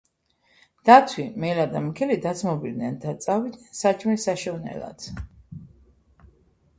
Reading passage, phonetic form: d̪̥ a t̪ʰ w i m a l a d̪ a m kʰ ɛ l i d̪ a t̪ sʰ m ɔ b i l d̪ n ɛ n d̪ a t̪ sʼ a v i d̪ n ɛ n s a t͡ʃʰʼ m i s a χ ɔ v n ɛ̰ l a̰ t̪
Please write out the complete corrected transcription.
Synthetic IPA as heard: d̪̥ a t̪ʰ w i m ɛ l a d̪ a m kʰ ɛ l i d̪ a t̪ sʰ m ɔ b i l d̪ n ɛ n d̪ a t̪ sʼ a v i d̪ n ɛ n s a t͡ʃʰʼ m i s a ʃ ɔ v n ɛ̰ l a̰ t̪